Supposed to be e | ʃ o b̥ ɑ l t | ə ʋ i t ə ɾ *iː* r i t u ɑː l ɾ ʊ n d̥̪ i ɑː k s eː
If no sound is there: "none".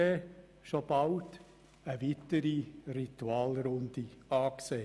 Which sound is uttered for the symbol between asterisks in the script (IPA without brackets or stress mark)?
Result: i